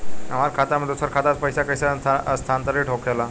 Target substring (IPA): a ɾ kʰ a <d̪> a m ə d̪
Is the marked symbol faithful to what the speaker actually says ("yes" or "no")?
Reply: no